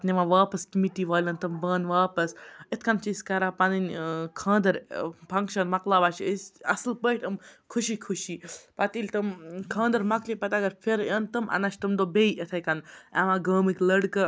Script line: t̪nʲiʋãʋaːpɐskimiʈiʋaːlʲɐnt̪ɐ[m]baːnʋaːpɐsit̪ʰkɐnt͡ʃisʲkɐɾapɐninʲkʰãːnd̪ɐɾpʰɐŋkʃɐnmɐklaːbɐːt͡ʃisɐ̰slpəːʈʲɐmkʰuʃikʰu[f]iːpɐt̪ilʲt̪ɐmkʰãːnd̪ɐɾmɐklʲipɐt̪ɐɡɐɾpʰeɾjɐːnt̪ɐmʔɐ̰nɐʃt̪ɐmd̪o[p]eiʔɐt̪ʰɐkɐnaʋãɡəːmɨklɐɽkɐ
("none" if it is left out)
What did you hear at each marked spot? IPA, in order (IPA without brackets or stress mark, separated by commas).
m, ʃ, b